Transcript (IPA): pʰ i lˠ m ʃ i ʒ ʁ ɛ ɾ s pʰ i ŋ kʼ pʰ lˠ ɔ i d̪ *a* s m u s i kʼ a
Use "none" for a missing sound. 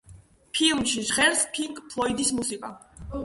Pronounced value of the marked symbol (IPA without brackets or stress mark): i